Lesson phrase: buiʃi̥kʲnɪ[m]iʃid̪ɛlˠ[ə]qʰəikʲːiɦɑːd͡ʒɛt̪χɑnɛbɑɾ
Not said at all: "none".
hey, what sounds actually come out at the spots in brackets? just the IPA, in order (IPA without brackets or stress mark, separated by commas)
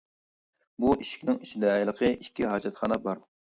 ŋ, ə